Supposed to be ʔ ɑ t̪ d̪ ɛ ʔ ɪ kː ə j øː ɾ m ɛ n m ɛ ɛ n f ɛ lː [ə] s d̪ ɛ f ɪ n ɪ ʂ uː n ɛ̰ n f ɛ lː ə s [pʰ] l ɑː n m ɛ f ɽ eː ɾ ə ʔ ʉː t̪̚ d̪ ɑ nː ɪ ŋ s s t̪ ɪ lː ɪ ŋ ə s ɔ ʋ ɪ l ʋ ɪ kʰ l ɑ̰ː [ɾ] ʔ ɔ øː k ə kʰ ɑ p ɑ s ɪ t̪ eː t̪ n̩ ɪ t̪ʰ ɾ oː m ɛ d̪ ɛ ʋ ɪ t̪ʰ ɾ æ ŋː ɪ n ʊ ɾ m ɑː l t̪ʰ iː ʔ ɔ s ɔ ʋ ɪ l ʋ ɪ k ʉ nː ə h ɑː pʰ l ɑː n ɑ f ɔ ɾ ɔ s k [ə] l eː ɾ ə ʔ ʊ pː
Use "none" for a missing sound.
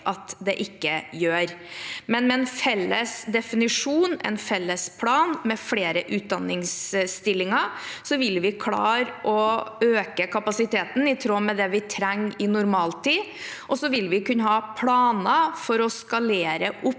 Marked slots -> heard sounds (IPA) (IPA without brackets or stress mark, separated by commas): ə, pʰ, ɾ, ɑ